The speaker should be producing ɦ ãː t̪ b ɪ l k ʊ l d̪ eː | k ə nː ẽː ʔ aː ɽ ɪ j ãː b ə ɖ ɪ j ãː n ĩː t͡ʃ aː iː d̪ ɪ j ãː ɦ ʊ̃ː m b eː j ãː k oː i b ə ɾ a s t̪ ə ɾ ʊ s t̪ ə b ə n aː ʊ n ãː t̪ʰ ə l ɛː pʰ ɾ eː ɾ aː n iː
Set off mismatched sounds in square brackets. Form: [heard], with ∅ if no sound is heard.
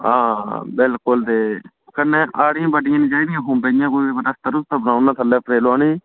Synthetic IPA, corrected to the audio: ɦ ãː [∅] b ɪ l k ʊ l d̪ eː | k ə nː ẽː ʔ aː ɽ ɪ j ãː b ə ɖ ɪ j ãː n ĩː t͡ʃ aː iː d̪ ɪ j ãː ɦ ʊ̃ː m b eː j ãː k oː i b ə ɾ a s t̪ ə ɾ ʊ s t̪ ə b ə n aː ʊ n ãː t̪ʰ ə l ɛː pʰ ɾ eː [l] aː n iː